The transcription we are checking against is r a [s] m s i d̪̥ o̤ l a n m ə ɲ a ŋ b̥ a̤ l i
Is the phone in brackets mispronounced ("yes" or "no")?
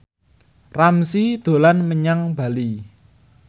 yes